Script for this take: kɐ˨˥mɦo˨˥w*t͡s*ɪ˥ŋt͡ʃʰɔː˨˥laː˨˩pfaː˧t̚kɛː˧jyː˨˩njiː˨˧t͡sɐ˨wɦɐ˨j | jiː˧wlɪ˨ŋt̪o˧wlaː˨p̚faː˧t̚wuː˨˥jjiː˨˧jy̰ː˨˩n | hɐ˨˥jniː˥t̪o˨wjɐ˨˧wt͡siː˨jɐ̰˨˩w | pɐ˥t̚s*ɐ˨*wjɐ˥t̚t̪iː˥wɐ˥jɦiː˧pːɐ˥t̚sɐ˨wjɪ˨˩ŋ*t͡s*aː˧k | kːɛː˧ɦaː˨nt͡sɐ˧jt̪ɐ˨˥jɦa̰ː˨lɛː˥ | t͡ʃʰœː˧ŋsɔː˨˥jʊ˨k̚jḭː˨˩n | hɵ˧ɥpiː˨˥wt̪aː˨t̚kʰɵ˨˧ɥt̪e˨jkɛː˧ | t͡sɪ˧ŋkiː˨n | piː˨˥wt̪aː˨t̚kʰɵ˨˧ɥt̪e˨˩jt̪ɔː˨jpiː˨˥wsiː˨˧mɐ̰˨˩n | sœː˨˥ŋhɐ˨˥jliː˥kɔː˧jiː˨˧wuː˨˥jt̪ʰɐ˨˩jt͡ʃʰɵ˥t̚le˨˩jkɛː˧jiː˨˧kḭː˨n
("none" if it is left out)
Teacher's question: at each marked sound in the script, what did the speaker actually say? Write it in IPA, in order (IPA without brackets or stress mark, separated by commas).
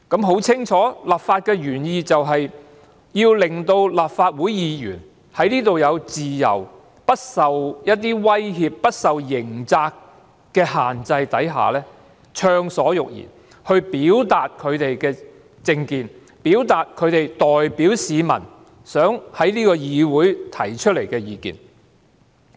t͡sʰ, ɐ˨, t͡s